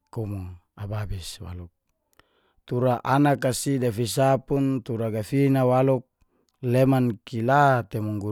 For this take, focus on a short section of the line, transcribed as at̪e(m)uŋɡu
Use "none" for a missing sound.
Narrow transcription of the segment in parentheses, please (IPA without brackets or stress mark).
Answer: m